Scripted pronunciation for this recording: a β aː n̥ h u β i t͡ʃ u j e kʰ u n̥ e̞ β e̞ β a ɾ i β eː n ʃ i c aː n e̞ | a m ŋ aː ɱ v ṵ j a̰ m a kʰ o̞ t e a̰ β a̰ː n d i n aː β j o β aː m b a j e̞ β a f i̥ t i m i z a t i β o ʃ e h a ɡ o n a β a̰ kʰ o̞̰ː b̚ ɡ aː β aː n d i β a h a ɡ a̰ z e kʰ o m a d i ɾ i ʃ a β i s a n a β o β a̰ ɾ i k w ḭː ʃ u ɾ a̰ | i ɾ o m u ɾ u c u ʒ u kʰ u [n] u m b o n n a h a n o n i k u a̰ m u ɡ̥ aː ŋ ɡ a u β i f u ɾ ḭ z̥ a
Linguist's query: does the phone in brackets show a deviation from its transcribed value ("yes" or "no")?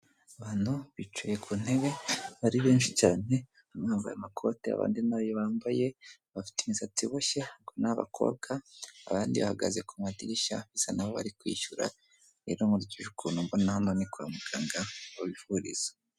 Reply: no